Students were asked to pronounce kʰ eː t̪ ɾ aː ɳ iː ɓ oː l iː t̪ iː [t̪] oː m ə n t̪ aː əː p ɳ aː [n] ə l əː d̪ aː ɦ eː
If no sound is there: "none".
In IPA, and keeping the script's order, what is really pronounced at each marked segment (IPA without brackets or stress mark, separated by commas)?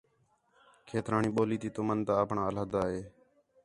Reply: t̪, none